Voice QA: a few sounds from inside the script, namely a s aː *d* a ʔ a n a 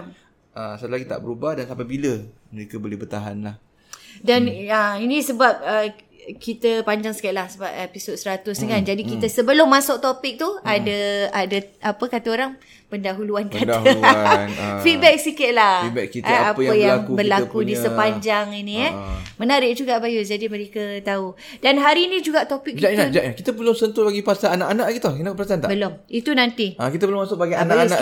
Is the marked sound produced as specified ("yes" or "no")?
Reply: no